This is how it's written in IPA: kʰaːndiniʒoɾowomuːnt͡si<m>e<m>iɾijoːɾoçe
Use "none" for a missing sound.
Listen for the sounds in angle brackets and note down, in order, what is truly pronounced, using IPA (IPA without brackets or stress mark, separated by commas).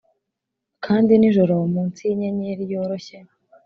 ɲ, ɲ